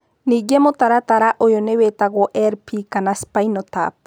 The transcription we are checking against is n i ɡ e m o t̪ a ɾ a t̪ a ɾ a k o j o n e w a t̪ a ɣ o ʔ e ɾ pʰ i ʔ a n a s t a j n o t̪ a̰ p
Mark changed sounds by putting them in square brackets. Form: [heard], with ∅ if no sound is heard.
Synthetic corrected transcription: n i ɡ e m o t̪ a ɾ a t̪ a ɾ a [ʔ] o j o n e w [e] t̪ a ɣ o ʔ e ɾ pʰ i [k] a n a s [p] a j n o t̪ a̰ p